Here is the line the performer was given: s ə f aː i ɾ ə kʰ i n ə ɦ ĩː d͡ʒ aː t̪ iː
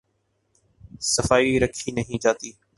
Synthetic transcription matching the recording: s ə f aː i ɾ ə kʰ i n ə ɦ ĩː d͡ʒ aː t̪ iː